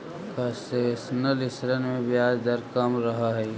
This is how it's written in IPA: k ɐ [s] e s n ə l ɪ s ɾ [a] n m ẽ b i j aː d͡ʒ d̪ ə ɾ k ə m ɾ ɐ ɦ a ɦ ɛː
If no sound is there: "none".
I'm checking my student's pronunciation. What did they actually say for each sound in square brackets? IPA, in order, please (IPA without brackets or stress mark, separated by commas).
s, ə